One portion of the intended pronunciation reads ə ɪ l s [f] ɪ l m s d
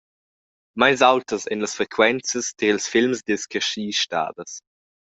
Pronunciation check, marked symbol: correct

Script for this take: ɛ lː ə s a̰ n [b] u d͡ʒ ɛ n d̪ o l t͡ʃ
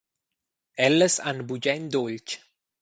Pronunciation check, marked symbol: correct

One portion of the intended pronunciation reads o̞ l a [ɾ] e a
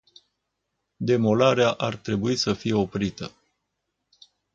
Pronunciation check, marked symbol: correct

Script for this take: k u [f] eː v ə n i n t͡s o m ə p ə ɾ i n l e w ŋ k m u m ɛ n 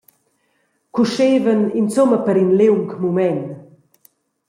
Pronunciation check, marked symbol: incorrect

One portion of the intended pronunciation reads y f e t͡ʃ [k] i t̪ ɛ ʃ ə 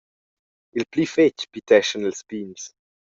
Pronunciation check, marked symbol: incorrect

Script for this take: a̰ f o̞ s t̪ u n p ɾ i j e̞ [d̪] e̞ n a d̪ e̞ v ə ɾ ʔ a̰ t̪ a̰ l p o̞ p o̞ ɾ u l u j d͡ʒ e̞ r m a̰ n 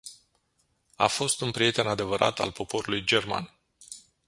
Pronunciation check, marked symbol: incorrect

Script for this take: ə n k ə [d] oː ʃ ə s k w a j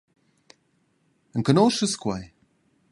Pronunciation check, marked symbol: incorrect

